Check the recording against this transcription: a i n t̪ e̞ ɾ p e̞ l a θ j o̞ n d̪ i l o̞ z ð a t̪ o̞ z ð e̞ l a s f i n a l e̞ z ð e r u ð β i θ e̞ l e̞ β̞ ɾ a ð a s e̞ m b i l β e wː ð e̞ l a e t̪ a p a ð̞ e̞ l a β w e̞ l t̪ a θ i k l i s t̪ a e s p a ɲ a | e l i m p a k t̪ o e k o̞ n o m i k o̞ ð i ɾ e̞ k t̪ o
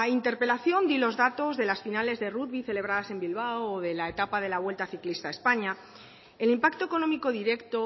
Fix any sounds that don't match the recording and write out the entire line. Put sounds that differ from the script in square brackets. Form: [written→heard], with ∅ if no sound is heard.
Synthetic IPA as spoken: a i n t̪ e̞ ɾ p e̞ l a θ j o̞ n d̪ i l o̞ z ð a t̪ o̞ z ð e̞ l a s f i n a l e̞ z ð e r u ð β i θ e̞ l e̞ β̞ ɾ a ð a s e̞ m b i l β [e→a] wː ð e̞ l a e t̪ a p a ð̞ e̞ l a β w e̞ l t̪ a θ i k l i s t̪ a e s p a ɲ a | e l i m p a k t̪ o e k o̞ n o m i k o̞ ð i ɾ e̞ k t̪ o